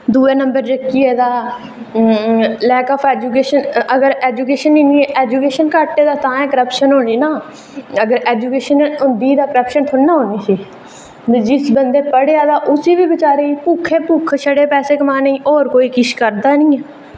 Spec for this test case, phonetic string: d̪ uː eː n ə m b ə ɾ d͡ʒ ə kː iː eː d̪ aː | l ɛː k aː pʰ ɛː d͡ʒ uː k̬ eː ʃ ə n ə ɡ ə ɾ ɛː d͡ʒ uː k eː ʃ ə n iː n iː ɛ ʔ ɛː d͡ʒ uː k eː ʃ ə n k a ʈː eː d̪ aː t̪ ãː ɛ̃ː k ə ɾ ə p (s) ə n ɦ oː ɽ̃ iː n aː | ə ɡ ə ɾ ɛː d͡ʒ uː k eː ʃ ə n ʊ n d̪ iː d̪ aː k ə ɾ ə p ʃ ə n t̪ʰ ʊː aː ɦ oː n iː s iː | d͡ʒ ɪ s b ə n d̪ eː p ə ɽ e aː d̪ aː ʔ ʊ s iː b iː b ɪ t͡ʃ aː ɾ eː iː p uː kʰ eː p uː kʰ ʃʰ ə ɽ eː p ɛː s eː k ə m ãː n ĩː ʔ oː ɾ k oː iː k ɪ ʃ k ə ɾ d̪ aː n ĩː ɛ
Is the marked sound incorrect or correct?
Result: incorrect: ʃ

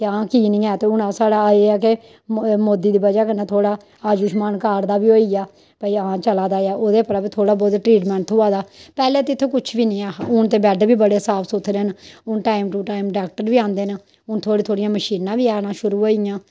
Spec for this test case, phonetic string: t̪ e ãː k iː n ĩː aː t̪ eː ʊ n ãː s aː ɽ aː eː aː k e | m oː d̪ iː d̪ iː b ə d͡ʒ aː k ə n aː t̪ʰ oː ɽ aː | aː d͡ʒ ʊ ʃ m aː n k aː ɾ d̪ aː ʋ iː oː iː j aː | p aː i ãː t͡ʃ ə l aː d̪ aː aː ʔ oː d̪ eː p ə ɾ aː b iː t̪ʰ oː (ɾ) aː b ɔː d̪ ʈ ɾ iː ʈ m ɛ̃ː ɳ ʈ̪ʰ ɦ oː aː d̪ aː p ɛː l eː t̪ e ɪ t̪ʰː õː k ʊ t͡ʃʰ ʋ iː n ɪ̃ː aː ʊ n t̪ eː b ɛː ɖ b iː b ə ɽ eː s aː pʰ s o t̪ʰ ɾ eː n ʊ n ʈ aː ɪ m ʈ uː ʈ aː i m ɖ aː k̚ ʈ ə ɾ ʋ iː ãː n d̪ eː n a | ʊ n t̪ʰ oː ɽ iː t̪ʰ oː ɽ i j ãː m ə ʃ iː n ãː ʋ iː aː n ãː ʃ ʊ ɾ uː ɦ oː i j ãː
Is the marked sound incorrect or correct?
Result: incorrect: ɽ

